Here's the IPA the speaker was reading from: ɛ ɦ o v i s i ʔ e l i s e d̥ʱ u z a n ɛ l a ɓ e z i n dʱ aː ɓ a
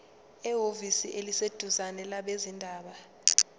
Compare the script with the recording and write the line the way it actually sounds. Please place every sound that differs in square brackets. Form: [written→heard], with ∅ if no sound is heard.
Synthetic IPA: ɛ ɦ o v i s i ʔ e l i s e d̥ʱ u z a n ɛ l a ɓ e z i n dʱ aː ɓ a